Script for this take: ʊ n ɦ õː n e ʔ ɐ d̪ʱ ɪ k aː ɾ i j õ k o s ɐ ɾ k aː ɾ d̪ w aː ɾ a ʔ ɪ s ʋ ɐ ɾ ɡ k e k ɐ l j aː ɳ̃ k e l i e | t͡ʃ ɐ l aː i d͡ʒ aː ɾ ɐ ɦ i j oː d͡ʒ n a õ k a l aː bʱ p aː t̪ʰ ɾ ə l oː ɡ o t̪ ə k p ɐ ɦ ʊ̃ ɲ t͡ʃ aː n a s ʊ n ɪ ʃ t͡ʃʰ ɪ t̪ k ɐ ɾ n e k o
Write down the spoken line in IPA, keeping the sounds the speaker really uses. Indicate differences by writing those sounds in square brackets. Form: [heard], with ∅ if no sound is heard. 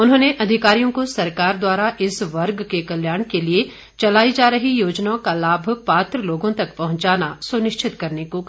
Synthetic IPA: ʊ n ɦ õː n e ʔ ɐ d̪ʱ ɪ k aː ɾ i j õ k o s ɐ ɾ k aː ɾ d̪ w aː ɾ a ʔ ɪ s ʋ ɐ ɾ ɡ k e k ɐ l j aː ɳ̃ k e l i e | t͡ʃ ɐ l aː i d͡ʒ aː ɾ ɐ ɦ i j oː d͡ʒ n a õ k a l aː bʱ p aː [t̪] ɾ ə l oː ɡ [õ] t̪ [ɐ] k p ɐ ɦ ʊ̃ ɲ t͡ʃ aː n a s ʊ n ɪ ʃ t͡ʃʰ ɪ t̪ k ɐ ɾ n e k o